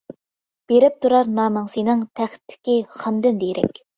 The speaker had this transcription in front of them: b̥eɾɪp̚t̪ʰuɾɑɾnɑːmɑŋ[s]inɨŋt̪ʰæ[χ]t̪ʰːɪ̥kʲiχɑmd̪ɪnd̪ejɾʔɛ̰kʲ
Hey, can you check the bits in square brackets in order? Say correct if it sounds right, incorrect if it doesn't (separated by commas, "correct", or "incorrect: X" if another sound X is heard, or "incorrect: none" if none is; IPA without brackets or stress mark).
correct, correct